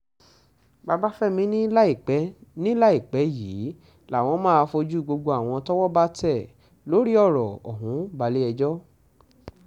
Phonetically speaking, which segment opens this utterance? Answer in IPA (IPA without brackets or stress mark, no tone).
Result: b